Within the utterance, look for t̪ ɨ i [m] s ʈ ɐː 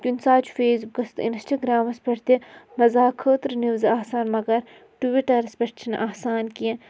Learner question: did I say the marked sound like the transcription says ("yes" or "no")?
no